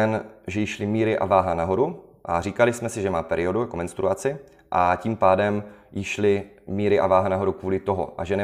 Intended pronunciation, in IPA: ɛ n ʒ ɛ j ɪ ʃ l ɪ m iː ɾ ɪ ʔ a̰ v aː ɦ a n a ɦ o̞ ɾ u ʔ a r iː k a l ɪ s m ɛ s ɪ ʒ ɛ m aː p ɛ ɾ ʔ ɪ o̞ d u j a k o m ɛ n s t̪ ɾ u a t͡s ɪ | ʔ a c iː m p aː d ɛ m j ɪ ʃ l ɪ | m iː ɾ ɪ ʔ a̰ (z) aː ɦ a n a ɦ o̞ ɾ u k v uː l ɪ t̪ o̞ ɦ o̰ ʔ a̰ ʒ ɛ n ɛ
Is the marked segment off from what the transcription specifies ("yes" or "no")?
yes